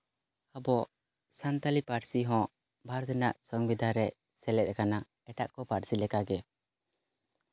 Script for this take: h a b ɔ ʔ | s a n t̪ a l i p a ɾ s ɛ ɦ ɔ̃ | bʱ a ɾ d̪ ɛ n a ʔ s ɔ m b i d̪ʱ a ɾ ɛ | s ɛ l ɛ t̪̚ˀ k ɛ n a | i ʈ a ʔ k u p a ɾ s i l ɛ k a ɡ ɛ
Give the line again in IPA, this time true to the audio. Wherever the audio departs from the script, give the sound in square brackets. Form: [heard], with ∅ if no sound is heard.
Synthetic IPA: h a b ɔ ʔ | s a n t̪ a l i p a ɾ s [i] ɦ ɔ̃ | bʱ a ɾ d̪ ɛ n a ʔ s ɔ [ŋ] b i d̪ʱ a ɾ ɛ | s ɛ l ɛ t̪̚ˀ k [a] n a | [ɛ] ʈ a ʔ k [ɔ] p a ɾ s i l ɛ k a ɡ ɛ